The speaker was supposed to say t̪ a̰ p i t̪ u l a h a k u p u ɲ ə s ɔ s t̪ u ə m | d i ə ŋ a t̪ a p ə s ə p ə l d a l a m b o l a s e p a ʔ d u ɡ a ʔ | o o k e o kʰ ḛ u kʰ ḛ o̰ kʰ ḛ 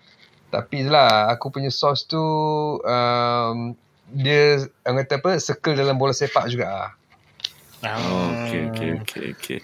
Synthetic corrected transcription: t̪ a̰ p i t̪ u l a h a k u p u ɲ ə s ɔ s t̪ u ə m | d i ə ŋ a t̪ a p ə s ə k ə l d a l a m b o l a s e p a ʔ d͡ʒ u ɡ a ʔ | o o k e o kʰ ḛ o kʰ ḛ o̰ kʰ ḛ